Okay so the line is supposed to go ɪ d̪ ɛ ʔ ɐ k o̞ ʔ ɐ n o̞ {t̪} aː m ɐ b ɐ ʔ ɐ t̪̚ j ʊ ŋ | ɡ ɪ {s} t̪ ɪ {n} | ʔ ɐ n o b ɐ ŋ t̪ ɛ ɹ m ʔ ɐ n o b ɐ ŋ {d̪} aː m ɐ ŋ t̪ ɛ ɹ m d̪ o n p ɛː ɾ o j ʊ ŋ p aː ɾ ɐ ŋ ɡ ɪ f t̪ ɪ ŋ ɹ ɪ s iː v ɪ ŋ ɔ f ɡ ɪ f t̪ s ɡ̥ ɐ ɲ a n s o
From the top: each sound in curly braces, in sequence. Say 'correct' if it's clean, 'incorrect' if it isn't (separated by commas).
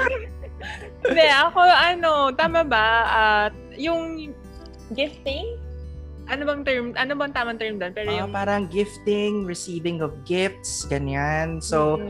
correct, incorrect, incorrect, incorrect